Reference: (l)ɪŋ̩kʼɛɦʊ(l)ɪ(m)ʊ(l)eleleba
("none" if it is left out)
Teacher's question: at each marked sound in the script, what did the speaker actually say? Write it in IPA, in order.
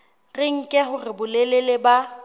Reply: r, r, b, l

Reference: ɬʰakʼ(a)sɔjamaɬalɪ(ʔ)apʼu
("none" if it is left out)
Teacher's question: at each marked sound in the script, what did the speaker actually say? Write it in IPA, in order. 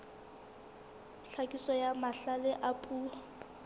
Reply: i, ʔ

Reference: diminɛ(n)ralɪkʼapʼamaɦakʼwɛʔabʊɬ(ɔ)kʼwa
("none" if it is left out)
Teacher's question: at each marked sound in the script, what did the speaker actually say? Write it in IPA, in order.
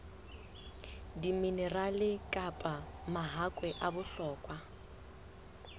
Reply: none, ɔː

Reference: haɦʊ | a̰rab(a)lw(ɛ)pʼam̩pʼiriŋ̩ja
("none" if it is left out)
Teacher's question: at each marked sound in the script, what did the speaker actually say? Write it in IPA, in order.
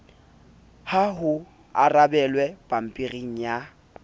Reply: ɛ, ɛ

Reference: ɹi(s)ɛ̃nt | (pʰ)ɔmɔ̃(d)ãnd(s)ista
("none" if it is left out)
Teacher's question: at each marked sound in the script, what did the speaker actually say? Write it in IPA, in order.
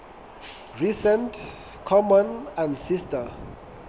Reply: s, kʰ, n, s

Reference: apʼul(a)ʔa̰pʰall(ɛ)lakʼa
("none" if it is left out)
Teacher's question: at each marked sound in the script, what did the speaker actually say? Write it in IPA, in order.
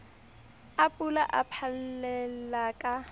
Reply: a, ɛ

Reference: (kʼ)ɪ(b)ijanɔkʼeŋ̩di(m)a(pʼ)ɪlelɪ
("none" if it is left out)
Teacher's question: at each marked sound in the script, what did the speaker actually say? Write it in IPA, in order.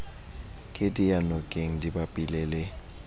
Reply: kʼ, d, b, pʼ

